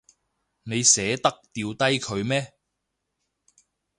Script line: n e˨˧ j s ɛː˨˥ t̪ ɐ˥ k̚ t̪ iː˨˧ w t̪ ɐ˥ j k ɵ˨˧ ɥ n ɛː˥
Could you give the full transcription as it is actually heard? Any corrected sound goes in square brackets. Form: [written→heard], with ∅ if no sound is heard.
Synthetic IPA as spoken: n e˨˧ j s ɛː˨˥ t̪ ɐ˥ k̚ t̪ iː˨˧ w t̪ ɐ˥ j [k→kʰ] ɵ˨˧ ɥ [n→m] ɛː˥